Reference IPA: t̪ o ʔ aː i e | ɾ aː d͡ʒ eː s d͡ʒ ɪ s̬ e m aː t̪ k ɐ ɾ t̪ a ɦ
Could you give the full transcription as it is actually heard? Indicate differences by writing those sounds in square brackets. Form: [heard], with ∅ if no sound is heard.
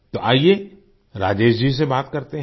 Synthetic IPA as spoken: t̪ o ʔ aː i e | ɾ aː d͡ʒ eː [ʃ] d͡ʒ [i] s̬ e [b] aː t̪ k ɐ ɾ t̪ [e] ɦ